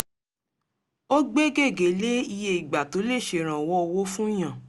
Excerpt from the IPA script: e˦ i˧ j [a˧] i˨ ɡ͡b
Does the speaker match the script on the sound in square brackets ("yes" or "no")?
no